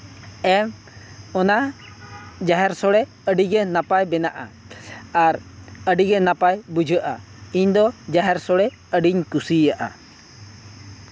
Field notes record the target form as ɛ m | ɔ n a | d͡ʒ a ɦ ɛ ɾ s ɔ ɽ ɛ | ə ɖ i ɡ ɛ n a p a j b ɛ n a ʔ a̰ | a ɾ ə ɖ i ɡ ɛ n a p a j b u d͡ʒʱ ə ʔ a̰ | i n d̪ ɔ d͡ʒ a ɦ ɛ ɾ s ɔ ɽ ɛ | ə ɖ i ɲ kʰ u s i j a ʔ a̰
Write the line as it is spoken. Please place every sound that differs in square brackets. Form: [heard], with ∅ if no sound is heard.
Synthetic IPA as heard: ɛ m | ɔ n a | d͡ʒ a ɦ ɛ ɾ s ɔ ɽ ɛ | ə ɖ i ɡ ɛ n a p a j b ɛ n a ʔ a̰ | a ɾ ə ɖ i ɡ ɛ n a p a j b u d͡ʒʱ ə ʔ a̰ | i [ɲ] d̪ ɔ d͡ʒ a ɦ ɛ ɾ s ɔ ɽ ɛ | ə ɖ i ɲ [k] u s i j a ʔ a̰